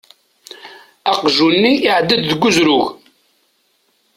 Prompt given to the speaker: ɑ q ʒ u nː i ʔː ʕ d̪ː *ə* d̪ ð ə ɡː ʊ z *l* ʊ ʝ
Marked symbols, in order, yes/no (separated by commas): yes, no